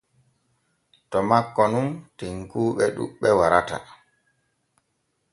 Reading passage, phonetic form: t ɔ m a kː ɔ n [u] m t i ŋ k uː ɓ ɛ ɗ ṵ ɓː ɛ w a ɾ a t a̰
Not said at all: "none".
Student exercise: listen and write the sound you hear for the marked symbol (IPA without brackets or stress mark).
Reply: u